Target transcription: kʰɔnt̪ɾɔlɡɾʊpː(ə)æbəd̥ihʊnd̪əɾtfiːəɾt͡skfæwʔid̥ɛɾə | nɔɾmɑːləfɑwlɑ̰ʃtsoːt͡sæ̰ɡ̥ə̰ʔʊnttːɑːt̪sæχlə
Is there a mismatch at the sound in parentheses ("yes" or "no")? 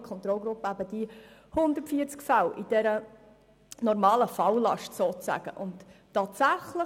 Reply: no